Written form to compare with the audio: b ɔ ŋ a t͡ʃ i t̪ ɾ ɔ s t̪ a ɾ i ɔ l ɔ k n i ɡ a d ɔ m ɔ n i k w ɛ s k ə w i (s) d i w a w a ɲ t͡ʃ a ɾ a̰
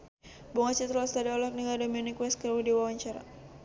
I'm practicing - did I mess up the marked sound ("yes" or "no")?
yes